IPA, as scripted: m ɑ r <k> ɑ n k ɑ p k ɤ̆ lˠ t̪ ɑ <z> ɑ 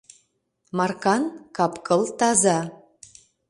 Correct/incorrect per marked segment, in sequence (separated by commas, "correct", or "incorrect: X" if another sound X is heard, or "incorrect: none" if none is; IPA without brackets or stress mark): correct, correct